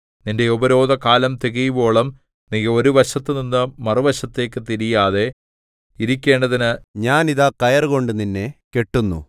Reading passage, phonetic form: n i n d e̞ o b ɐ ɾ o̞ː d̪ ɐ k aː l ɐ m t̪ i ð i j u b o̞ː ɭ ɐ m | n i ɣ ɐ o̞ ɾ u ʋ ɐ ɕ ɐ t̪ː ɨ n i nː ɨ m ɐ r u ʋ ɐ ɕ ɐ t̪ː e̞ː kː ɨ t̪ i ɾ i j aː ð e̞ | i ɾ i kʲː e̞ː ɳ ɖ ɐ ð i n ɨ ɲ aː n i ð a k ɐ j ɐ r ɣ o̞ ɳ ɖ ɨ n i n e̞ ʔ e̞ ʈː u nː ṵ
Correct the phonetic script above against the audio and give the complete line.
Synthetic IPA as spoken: n i n d e̞ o b ɐ ɾ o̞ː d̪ ɐ k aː l ɐ m t̪ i ɣ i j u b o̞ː ɭ ɐ m | n i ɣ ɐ o̞ ɾ u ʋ ɐ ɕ ɐ t̪ː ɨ n i nː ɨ m ɐ r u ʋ ɐ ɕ ɐ t̪ː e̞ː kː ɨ t̪ i ɾ i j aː ð e̞ | i ɾ i kʲː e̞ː ɳ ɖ ɐ ð i n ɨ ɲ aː n i ð a k ɐ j ɐ r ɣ o̞ ɳ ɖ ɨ n i nː e̞ k e̞ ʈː u nː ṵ